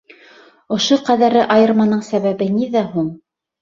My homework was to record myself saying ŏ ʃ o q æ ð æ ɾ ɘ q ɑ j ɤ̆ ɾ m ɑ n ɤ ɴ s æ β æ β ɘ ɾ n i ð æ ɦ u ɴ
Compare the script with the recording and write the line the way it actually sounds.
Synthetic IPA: ŏ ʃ o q æ ð æ ɾ ɘ ʔ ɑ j ɤ̆ ɾ m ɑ n ɤ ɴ s æ β æ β ɘ n i ð æ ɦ u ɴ